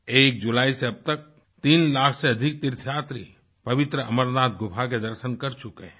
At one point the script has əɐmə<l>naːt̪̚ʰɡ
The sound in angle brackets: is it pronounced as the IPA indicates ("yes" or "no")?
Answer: no